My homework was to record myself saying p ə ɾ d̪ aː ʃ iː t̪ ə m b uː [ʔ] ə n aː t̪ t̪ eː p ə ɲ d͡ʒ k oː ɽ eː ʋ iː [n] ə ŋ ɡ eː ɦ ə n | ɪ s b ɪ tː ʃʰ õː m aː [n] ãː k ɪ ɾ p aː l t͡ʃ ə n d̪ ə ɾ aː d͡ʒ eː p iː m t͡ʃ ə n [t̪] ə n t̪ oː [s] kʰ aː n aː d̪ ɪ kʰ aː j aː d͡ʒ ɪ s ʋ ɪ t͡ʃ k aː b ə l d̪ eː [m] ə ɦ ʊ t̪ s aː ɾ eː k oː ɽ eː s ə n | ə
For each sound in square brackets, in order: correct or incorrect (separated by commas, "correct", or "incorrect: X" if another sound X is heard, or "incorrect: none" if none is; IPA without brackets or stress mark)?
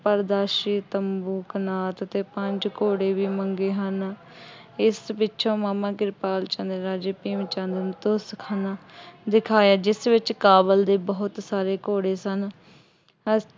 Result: incorrect: k, incorrect: m, incorrect: m, incorrect: d̪, correct, incorrect: b